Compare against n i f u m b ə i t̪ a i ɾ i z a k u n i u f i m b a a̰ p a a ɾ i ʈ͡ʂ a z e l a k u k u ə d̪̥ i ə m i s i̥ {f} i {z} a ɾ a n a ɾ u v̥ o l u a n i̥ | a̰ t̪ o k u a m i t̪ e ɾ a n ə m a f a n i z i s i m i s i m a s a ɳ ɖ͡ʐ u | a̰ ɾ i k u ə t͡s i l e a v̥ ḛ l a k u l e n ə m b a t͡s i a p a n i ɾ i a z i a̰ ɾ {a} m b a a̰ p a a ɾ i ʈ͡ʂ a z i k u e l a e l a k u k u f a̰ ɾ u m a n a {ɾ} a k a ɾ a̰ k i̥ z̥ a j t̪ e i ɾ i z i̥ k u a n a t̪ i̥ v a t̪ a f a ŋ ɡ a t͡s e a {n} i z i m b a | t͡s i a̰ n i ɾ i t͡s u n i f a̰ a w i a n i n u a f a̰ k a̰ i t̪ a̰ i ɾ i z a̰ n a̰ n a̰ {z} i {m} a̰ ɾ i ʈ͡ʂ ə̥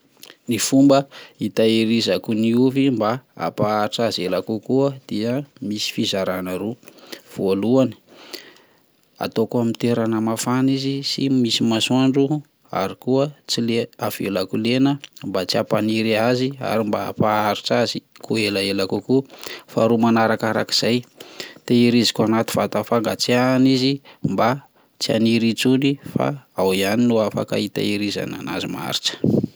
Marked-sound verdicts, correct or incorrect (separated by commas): correct, correct, incorrect, correct, correct, correct, correct